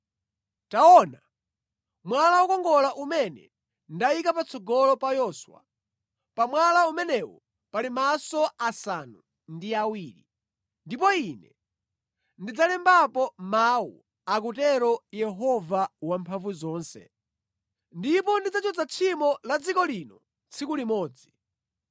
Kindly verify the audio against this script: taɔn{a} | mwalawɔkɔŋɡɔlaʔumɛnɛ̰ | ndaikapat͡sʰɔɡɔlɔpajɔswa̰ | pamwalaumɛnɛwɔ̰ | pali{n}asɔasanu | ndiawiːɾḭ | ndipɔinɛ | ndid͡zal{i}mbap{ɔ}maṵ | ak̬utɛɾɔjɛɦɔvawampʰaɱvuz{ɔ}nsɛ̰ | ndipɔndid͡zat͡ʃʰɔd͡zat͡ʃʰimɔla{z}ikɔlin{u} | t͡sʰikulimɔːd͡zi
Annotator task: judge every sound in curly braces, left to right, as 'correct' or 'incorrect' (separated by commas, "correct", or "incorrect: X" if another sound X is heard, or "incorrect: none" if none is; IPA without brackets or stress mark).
correct, incorrect: m, incorrect: ɛ, correct, incorrect: ɔː, incorrect: d͡z, incorrect: ɔ